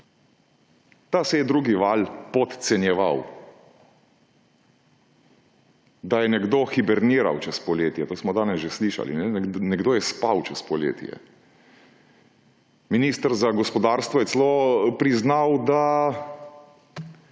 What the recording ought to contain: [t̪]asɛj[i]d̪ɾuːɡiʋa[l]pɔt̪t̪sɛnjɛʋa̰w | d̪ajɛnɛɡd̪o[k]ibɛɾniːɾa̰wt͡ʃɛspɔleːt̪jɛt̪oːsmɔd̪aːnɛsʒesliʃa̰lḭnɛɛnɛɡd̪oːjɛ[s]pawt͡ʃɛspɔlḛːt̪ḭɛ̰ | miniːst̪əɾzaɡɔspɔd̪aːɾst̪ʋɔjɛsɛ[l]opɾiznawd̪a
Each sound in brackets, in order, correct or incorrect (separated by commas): correct, incorrect, correct, incorrect, correct, correct